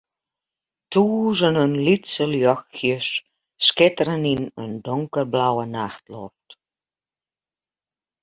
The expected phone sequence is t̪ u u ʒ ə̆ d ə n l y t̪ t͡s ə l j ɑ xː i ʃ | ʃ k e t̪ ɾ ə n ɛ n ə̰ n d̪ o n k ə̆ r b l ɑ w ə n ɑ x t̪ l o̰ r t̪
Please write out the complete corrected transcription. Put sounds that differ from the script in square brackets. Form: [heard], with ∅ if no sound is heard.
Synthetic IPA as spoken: t̪ u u ʒ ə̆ [n] ə n l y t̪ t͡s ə l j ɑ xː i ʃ | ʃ k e t̪ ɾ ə n [i] n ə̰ n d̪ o [ŋ] k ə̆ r b l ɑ w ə n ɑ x t̪ l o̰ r t̪